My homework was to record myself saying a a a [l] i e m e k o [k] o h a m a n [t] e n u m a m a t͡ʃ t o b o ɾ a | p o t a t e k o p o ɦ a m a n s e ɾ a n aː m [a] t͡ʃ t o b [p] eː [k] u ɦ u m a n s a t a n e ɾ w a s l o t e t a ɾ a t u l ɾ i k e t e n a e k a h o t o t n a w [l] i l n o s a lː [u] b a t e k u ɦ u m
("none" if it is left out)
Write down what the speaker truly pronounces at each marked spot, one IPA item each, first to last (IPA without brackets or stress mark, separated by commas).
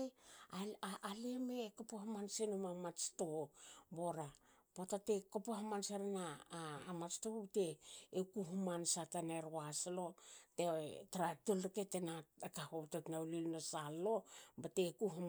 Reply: l, p, s, a, t, k, l, o